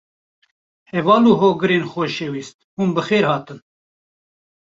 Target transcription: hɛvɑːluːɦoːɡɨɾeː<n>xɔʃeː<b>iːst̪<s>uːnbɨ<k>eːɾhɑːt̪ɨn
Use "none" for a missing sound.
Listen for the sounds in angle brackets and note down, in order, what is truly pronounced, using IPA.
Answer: n, w, h, x

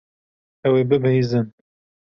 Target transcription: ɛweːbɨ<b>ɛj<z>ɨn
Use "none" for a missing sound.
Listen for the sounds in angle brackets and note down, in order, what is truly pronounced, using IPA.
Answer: b, z

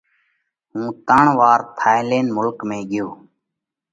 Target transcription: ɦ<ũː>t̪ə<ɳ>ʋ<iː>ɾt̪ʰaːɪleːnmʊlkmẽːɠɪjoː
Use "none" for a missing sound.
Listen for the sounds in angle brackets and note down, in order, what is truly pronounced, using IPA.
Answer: ũː, ɳ, aː

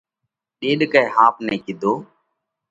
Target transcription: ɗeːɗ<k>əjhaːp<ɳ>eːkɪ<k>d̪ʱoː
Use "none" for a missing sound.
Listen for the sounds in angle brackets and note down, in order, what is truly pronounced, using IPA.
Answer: k, n, none

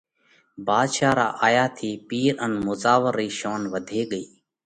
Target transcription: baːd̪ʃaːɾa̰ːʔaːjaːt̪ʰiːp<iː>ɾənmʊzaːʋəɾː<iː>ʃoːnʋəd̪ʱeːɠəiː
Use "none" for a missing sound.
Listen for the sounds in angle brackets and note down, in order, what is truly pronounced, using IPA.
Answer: iː, iː

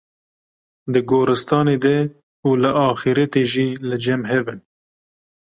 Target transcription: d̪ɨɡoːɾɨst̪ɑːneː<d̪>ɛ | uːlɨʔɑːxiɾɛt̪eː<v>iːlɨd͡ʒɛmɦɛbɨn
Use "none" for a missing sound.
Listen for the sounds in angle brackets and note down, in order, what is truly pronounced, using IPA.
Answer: d̪, ʒ

